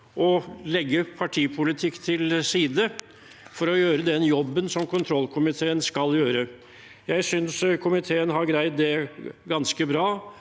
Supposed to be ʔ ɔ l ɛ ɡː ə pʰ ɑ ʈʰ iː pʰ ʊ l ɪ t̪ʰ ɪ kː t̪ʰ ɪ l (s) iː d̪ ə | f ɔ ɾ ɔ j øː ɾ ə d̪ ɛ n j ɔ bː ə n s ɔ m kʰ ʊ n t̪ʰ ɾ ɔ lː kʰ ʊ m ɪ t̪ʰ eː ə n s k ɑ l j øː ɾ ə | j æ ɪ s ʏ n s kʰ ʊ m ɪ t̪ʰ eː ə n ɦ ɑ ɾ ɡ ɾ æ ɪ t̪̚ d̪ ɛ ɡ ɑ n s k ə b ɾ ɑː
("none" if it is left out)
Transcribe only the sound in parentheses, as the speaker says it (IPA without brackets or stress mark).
s